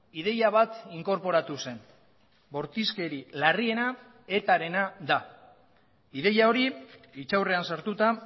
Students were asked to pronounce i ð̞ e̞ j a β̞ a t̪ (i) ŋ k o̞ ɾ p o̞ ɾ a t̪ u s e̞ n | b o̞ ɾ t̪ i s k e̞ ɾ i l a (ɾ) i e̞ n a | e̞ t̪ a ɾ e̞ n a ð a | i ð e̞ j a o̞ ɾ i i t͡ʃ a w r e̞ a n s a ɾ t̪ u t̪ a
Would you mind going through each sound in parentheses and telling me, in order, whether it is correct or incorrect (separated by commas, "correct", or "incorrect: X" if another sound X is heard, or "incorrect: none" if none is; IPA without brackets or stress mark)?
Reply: correct, incorrect: r